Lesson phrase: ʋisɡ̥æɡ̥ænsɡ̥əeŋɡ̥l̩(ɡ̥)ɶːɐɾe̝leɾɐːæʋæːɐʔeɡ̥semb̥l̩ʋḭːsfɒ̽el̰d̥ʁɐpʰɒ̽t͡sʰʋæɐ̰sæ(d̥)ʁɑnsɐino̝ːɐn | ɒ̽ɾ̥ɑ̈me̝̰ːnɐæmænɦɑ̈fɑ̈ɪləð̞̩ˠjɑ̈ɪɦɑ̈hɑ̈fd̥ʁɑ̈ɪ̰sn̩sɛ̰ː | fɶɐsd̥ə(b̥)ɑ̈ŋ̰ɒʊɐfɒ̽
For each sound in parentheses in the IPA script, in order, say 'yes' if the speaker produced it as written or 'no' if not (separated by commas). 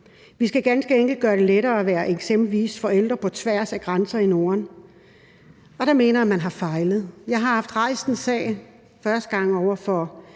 yes, no, no